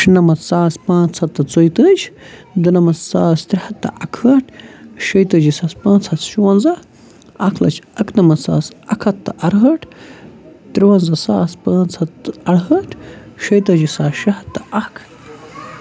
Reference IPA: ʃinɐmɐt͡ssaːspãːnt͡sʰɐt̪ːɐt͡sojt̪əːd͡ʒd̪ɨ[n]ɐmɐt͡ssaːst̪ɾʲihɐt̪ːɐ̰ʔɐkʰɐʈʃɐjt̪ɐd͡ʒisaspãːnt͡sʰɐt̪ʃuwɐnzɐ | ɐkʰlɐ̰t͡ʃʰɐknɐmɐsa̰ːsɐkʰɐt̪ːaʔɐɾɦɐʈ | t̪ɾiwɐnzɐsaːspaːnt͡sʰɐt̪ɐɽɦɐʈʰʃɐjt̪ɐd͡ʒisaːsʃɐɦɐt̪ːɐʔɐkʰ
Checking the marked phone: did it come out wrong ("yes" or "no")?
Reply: no